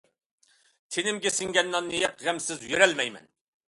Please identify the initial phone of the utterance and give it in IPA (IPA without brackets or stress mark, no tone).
t̪ʰ